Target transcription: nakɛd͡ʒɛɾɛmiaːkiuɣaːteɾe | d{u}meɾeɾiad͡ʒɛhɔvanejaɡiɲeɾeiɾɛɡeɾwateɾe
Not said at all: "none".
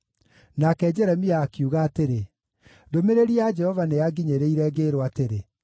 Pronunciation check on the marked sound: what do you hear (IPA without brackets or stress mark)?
o